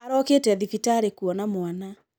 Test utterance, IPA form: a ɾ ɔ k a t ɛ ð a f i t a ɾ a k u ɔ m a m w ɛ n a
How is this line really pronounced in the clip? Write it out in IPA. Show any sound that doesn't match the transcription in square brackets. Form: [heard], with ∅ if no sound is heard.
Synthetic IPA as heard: a ɾ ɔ k [e] t ɛ ð [i] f i t a ɾ [e] k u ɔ [n] a m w [a] n a